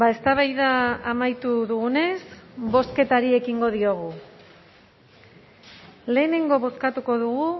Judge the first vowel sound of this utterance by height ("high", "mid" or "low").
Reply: low